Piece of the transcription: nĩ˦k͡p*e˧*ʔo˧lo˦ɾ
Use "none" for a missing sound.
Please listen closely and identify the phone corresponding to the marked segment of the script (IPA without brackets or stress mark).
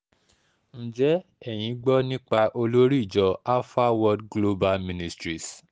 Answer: a˧